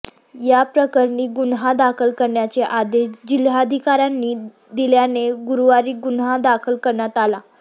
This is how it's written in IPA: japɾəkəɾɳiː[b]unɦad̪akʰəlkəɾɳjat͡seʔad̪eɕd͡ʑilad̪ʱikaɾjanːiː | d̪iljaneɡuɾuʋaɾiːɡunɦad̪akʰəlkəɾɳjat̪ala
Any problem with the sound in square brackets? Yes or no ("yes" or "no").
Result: yes